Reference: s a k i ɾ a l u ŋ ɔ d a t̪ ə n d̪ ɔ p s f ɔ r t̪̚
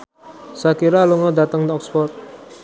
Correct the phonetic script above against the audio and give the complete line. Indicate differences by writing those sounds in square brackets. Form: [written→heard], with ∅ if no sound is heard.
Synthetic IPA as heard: s a k i ɾ a l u ŋ ɔ d a t̪ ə [n→ŋ] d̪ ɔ [p→k] s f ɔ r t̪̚